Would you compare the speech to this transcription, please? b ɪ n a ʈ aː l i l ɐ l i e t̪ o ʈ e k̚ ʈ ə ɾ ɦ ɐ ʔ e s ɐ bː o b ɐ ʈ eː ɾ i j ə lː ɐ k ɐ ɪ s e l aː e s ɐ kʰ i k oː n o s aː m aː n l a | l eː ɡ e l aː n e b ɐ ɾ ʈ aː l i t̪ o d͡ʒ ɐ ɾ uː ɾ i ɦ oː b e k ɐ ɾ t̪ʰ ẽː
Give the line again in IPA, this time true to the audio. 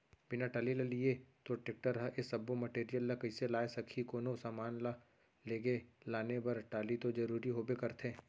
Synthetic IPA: b ɪ n a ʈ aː l i l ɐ l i e t̪ o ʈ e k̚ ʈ ə ɾ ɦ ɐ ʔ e s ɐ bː o m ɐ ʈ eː ɾ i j ə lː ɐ k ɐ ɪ s e l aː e s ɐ kʰ i k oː n o s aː m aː n l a | l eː ɡ e l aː n e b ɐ ɾ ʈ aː l i t̪ o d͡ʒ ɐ ɾ uː ɾ i ɦ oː b e k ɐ ɾ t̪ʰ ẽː